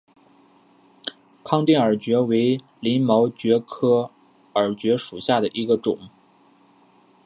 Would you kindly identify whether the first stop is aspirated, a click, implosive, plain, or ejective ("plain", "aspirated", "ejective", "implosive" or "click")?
aspirated